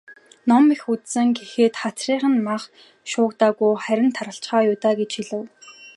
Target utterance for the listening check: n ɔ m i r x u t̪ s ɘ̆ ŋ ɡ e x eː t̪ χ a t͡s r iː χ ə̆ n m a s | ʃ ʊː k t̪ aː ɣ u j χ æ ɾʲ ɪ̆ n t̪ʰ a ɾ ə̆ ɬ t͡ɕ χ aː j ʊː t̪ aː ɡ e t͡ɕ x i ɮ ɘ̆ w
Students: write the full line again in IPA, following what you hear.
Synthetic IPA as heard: n ɔ m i x u t̪ s ɘ̆ ŋ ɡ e x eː t̪ χ a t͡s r iː χ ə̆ n m a χ | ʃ ʊː k t̪ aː ɣ u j χ æ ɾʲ ɪ̆ n t̪ʰ a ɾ ə̆ ɬ t͡ɕ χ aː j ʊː t̪ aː ɡ e t͡ɕ x i ɮ ɘ̆ w